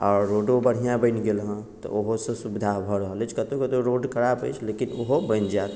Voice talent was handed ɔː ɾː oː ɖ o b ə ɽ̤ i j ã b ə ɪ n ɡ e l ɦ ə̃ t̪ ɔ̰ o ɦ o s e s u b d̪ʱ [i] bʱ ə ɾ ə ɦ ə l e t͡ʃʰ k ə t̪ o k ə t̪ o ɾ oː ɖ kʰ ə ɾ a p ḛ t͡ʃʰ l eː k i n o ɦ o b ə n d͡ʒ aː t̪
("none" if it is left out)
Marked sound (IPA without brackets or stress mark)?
a